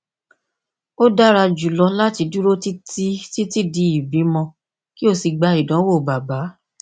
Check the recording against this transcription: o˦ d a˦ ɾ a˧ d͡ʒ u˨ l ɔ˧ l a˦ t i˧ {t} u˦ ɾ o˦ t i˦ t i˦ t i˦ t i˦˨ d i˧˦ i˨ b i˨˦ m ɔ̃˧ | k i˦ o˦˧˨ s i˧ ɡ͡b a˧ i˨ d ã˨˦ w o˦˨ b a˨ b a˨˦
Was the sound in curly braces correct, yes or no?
no